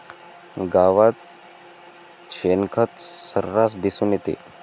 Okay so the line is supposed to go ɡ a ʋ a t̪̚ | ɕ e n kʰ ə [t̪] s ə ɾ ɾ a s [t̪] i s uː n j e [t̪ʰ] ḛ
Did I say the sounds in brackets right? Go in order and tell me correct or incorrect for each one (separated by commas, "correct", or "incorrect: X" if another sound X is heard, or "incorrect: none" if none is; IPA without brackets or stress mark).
correct, incorrect: d̪, incorrect: t̪